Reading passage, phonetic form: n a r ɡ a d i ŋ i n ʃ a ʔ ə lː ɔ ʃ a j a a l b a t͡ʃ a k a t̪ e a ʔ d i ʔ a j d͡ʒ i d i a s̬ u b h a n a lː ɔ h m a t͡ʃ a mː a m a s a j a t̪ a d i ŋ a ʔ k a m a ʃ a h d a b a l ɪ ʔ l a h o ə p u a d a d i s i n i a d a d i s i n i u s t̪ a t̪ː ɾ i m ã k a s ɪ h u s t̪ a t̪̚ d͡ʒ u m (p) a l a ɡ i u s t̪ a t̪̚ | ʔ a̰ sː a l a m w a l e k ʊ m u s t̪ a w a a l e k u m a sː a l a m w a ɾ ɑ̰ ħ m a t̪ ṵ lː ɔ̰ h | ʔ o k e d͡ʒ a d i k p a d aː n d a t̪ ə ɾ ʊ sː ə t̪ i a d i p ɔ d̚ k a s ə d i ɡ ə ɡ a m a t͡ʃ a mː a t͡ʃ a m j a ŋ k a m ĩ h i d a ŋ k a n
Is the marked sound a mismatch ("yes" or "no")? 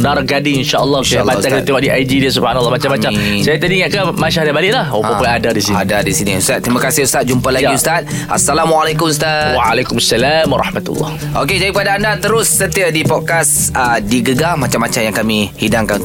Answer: no